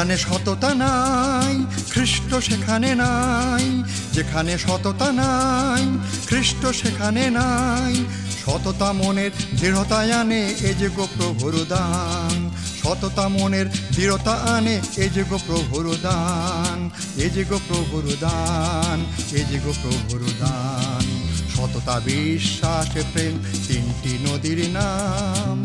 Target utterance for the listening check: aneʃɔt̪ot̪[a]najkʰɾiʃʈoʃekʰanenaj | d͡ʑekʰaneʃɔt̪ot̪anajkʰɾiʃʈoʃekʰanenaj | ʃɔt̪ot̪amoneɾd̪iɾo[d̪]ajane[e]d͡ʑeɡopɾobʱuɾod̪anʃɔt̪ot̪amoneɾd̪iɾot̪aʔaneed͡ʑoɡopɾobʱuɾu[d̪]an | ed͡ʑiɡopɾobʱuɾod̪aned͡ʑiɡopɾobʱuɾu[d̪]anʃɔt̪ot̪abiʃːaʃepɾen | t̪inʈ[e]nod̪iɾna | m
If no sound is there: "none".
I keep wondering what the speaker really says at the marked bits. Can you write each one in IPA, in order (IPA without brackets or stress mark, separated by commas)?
a, t̪, e, d̪, d̪, i